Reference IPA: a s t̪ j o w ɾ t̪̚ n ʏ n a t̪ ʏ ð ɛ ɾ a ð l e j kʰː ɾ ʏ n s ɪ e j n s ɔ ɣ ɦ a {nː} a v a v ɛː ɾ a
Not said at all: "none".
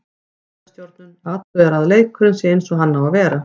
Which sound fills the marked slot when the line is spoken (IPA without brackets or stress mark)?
nː